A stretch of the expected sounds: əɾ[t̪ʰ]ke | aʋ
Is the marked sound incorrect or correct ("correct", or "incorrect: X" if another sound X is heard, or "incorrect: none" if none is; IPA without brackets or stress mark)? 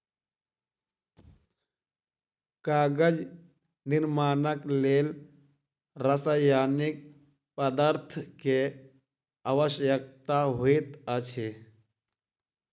correct